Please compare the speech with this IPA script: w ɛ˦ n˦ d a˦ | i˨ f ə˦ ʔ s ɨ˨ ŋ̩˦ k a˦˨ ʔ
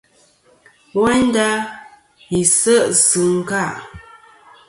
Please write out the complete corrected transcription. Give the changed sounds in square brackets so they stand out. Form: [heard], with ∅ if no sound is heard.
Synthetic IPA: w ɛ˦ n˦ d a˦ | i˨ [s] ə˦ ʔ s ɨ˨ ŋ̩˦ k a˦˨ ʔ